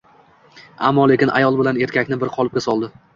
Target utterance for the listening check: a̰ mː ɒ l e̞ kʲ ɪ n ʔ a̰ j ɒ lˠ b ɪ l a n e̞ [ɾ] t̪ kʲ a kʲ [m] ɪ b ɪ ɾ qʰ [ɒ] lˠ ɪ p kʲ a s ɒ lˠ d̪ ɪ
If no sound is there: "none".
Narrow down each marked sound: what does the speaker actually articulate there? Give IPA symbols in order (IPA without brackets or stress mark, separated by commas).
ɾ, n, ɒ